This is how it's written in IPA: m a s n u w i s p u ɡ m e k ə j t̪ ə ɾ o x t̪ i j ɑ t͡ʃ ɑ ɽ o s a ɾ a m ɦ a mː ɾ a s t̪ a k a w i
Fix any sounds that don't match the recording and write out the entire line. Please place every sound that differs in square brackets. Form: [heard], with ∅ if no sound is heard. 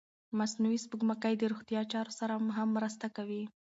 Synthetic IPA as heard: m a s n u w i s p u ɡ m [a] k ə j [d̪] ə ɾ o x t̪ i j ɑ t͡ʃ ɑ [ɾ] o s a ɾ a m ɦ a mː ɾ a s t̪ a k a w i